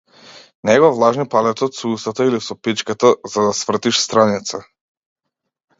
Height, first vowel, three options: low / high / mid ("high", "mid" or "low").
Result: mid